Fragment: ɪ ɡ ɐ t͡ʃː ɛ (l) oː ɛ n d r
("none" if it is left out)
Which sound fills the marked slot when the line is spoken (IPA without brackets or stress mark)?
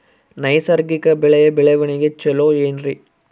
l